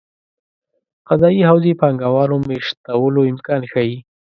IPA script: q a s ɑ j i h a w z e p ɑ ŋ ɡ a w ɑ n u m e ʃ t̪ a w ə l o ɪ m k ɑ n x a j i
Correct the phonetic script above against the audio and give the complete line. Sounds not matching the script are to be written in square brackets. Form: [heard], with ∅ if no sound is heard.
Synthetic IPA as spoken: q a [z] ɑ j i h a w z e p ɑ ŋ ɡ a w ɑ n [o] m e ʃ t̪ a w ə l o ɪ m k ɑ n x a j i